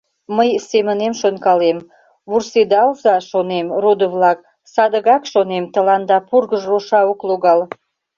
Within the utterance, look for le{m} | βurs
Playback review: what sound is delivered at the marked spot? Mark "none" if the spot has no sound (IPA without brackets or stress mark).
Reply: m